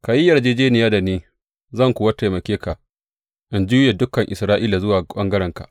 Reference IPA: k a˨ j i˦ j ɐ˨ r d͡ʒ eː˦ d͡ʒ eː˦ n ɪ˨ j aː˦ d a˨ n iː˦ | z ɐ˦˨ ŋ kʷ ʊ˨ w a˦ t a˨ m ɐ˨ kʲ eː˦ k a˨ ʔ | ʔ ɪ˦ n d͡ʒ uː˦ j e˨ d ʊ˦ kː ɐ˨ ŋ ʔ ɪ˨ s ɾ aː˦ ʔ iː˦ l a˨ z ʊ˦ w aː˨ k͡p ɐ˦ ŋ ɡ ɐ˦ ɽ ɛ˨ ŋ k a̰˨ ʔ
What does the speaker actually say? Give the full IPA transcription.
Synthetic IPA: k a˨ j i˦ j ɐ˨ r d͡ʒ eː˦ d͡ʒ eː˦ n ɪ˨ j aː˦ d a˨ n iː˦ | z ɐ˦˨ ŋ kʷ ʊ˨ w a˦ t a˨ m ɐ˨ kʲ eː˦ k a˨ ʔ | ʔ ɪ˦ n d͡ʒ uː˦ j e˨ d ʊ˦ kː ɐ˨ ŋ ʔ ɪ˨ s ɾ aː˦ ʔ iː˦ l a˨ z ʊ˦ w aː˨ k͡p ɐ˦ ŋ ɡ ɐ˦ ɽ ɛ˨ ŋ k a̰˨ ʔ